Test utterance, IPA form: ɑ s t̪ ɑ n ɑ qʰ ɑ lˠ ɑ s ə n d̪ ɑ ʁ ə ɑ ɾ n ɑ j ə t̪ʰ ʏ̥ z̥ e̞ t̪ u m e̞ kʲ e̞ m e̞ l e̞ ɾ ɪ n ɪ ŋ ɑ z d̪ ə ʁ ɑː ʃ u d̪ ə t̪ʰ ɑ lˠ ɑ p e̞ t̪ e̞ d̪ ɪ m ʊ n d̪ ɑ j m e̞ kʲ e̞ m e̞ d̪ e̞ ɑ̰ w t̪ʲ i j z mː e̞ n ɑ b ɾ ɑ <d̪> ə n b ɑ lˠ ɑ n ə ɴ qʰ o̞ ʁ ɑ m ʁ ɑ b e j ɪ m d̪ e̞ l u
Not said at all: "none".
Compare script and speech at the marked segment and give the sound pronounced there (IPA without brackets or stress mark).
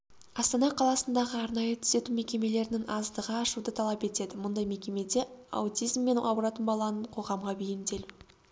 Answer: t̪